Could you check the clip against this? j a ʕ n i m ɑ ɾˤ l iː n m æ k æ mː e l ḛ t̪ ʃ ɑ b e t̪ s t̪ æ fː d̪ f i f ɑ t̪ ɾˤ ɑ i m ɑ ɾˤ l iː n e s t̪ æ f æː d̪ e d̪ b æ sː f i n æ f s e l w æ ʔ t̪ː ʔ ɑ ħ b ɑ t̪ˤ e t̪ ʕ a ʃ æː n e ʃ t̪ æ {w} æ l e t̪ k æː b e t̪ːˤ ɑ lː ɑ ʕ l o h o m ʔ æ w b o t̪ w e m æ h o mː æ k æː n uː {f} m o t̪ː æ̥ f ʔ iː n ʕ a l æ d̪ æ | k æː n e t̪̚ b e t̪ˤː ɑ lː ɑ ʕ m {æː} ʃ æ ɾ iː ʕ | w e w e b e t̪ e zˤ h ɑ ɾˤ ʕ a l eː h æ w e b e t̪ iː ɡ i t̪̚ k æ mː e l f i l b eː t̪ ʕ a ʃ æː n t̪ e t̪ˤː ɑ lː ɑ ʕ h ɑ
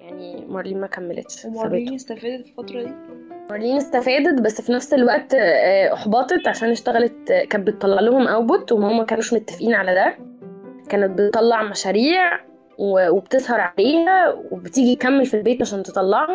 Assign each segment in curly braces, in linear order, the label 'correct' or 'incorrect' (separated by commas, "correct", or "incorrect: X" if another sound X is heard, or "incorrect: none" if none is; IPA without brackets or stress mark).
incorrect: ɣ, incorrect: ʃ, incorrect: æ